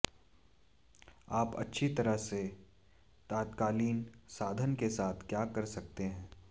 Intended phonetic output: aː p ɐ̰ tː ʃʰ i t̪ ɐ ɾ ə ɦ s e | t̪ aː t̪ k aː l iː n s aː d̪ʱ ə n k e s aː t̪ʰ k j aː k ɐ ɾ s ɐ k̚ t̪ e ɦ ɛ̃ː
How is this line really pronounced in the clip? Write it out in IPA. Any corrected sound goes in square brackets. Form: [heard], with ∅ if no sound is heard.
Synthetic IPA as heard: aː p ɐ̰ tː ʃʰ i t̪ ɐ ɾ ə ɦ s e | t̪ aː t̪ k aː l iː n s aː d̪ʱ ə n k e s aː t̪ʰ k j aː k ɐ ɾ s ɐ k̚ t̪ e ɦ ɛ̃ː

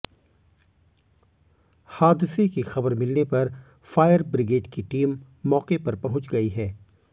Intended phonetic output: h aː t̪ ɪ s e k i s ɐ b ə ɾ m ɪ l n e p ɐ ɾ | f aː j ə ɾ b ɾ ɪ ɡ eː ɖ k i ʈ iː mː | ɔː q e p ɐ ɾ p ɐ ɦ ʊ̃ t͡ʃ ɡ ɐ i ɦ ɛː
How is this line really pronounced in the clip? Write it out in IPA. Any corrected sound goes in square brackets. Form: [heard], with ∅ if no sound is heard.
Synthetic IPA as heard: h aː [d̪] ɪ s e k i [x] ɐ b ə ɾ m ɪ l n e p ɐ ɾ | f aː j ə ɾ b ɾ ɪ ɡ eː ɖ k i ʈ iː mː | ɔː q e p ɐ ɾ p ɐ ɦ ʊ̃ t͡ʃ ɡ ɐ i ɦ ɛː

